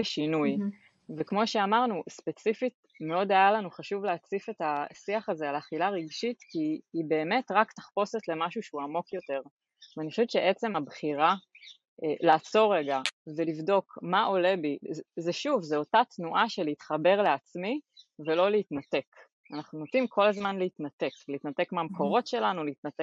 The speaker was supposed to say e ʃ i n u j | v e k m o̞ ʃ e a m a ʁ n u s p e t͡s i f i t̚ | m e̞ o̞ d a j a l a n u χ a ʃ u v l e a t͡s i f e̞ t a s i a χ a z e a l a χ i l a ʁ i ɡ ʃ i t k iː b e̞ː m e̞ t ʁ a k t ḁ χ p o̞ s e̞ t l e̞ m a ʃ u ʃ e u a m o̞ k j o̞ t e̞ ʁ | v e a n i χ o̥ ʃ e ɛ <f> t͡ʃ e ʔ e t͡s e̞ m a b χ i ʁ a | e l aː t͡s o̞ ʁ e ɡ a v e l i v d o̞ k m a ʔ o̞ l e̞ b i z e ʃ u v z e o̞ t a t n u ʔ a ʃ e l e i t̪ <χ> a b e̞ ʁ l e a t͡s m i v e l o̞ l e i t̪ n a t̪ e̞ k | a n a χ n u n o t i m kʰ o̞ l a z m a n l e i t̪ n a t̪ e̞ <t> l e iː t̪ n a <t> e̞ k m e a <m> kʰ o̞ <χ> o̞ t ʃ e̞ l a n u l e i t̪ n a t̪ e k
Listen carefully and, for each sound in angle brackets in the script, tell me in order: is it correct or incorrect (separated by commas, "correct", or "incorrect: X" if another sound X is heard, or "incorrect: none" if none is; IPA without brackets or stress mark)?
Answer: incorrect: v, correct, incorrect: k, correct, correct, incorrect: ʁ